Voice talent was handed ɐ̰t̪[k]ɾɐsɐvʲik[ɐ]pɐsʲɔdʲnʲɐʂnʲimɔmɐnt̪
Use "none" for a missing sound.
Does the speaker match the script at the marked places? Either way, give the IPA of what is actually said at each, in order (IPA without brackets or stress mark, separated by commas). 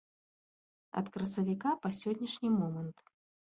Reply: k, a